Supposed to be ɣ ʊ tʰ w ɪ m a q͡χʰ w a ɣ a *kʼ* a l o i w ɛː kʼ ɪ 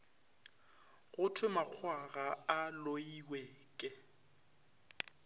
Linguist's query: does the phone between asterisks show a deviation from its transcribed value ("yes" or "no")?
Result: yes